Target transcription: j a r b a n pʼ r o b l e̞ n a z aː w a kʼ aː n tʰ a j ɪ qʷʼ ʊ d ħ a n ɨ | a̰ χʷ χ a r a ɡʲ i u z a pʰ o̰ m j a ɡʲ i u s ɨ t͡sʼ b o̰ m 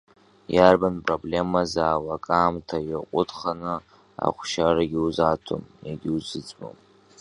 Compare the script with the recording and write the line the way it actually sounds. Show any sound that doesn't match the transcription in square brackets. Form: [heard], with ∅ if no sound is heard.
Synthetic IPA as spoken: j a r b a n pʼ r o b l e̞ [m] a z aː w a kʼ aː [m] tʰ a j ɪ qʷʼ ʊ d [χ] a n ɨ | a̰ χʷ [ʃ] a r a ɡʲ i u z a [tʰ] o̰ m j a ɡʲ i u [z] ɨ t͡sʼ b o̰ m